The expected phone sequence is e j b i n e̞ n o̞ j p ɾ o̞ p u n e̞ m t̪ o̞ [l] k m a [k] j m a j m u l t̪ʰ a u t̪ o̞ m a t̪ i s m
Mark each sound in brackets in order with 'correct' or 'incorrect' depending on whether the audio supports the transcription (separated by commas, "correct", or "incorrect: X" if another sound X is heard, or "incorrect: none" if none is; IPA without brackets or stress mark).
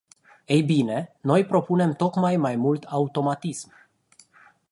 incorrect: none, incorrect: none